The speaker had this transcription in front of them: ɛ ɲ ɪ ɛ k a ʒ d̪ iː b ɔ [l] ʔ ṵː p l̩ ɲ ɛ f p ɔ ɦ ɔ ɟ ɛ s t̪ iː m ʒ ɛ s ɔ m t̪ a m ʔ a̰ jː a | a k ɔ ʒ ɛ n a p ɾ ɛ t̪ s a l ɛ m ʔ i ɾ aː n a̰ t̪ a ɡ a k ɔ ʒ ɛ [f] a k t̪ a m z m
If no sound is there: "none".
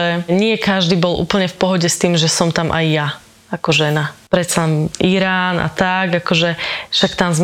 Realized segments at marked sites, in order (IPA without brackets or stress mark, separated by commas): l, ʃ